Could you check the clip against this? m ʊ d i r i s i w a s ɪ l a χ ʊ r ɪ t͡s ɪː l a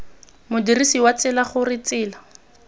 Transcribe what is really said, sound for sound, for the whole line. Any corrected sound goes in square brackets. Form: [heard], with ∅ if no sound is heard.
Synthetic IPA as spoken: m ʊ d i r i s i w a [t͡s] ɪ l a χ ʊ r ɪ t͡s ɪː l a